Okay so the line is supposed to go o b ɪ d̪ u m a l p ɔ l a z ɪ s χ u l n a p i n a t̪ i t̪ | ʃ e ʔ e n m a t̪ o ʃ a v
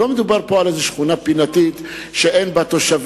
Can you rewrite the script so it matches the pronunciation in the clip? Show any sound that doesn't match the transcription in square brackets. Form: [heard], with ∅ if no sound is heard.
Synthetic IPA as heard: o [m] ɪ d̪ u [b] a [ɾ] p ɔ l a z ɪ [ʃ] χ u [∅] n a p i n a t̪ i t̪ | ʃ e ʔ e n [b] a t̪ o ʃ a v